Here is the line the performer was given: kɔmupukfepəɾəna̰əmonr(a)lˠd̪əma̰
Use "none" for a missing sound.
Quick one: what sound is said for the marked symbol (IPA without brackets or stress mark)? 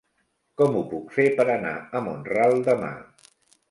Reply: a